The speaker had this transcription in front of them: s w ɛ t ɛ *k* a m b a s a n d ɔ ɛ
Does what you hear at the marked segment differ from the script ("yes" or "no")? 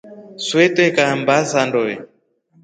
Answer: no